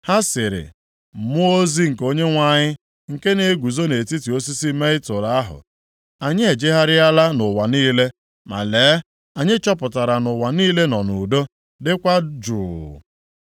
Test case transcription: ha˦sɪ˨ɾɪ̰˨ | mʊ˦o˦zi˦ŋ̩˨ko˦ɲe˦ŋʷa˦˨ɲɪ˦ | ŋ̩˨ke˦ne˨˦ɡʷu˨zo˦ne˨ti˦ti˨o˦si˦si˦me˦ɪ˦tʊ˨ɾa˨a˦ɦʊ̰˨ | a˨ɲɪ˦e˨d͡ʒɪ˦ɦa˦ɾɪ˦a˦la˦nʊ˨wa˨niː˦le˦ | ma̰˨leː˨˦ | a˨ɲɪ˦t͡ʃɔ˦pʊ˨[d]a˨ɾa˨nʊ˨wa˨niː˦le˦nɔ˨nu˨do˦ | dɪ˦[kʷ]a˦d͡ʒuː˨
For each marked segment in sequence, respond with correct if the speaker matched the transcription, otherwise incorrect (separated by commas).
incorrect, correct